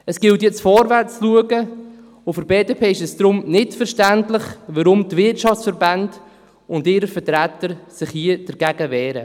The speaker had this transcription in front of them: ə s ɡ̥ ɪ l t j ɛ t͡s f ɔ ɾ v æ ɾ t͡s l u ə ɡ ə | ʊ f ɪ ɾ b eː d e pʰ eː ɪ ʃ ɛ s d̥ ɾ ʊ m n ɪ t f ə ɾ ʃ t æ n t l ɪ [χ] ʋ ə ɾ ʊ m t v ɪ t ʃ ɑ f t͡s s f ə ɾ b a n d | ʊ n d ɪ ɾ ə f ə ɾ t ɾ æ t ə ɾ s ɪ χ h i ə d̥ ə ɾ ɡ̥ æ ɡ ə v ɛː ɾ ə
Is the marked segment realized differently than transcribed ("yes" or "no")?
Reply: no